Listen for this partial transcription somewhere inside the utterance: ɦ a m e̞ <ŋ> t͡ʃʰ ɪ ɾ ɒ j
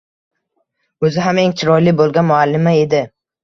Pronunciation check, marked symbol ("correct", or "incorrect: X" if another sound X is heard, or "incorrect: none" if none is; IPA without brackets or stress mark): correct